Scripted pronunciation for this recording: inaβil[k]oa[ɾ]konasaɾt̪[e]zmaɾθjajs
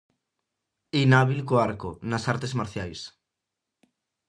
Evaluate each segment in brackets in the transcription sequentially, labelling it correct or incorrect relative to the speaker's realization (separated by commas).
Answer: correct, correct, correct